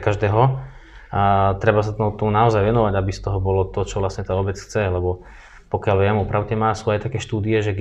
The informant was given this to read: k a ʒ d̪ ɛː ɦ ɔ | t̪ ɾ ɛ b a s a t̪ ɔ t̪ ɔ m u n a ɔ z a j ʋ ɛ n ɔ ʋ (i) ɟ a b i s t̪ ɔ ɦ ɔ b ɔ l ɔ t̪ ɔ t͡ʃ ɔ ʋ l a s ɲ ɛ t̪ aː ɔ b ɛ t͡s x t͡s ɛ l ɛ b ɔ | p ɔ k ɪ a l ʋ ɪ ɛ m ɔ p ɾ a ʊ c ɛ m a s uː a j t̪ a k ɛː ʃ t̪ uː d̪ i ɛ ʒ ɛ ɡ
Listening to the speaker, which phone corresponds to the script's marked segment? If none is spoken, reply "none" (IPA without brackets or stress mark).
a